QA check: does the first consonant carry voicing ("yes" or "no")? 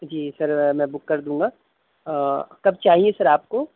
yes